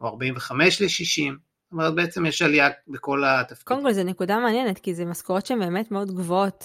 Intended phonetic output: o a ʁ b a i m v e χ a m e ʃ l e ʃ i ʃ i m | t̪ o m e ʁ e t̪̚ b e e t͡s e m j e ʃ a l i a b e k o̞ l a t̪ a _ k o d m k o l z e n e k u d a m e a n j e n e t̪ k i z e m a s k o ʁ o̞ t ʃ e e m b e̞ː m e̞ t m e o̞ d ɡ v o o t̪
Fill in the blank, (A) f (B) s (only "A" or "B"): A